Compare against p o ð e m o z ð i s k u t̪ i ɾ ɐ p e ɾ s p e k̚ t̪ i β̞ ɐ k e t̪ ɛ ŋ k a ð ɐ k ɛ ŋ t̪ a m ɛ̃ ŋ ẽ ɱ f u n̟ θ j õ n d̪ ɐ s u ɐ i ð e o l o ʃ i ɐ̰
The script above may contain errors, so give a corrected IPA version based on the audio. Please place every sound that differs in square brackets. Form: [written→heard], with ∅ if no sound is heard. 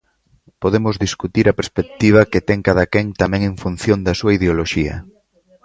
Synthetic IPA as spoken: p o ð e m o z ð i s k u t̪ i ɾ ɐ p e ɾ s p e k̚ t̪ i β̞ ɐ k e t̪ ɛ ŋ k a ð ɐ k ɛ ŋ t̪ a m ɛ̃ ŋ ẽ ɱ f u n̟ θ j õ n d̪ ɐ s u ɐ i ð e o l o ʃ i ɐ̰